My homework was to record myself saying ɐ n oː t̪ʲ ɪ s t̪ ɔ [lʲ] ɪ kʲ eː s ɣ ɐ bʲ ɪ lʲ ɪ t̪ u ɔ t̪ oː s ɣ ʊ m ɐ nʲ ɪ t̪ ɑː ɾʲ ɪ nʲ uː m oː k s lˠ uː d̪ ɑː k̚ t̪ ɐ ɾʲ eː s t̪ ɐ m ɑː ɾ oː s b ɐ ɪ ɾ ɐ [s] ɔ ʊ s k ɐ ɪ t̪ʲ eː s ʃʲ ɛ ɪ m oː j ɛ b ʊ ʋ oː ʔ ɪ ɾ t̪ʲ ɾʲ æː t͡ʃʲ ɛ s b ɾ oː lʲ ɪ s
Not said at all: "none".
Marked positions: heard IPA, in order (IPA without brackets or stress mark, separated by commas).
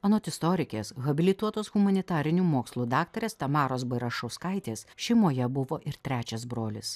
ɾʲ, ʃ